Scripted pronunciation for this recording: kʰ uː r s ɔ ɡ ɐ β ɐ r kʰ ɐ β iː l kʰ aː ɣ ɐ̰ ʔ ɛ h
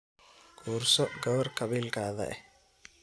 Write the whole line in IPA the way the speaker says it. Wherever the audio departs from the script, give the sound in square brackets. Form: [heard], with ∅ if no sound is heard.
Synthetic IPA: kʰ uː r s ɔ ɡ ɐ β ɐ r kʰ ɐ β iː l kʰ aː [ð] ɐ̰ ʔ ɛ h